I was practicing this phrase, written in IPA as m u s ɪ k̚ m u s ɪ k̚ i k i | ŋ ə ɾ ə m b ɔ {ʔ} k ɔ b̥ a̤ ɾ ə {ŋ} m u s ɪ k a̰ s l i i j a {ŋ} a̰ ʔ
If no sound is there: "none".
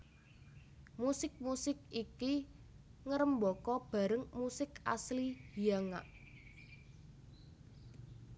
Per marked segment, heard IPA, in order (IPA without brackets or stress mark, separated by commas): none, ŋ, ŋ